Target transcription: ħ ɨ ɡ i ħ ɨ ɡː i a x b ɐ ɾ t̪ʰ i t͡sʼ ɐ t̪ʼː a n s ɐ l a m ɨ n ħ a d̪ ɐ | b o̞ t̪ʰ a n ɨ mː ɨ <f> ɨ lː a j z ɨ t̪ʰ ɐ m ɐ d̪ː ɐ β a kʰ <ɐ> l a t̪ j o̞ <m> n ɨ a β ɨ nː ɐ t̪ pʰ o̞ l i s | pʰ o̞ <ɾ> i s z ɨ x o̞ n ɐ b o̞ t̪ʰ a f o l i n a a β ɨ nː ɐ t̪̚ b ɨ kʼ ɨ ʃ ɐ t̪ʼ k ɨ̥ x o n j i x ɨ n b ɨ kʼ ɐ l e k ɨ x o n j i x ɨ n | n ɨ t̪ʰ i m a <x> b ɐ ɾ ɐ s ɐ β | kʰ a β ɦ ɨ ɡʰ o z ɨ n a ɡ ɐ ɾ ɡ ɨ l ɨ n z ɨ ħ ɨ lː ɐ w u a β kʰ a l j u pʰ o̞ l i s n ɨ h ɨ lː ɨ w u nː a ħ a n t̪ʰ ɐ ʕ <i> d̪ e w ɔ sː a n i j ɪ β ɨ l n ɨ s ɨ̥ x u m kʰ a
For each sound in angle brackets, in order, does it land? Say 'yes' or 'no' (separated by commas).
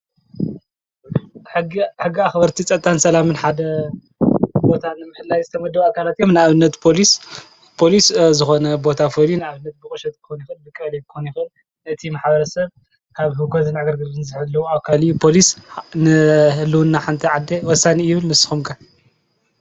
no, no, yes, no, no, no